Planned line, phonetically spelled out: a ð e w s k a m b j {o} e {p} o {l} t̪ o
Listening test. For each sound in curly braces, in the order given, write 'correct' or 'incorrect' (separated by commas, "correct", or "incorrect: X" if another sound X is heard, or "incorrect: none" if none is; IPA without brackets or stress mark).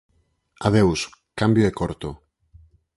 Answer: correct, incorrect: k, incorrect: ɾ